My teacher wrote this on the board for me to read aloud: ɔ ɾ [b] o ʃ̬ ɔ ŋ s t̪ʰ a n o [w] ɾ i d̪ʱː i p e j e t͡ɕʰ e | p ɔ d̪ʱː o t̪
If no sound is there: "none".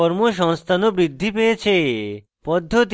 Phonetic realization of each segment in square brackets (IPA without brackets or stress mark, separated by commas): m, b